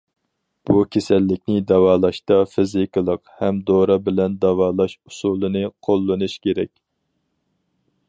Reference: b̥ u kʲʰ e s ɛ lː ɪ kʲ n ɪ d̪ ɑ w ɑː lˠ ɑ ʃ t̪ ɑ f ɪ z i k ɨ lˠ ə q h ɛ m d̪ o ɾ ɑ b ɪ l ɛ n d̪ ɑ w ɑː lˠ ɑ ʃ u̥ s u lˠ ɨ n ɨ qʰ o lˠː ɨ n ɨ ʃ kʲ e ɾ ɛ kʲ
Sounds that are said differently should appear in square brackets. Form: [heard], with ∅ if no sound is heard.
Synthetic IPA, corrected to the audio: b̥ u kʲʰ e s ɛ lː ɪ kʲ n ɪ d̪ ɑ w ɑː lˠ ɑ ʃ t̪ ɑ f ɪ z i k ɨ lˠ ə q h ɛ m d̪ o ɾ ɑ b ɪ l ɛ n d̪ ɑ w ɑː lˠ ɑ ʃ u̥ s u lˠ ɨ n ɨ qʰ o lˠː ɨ n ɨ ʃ kʲ e ɾ ɛ kʲ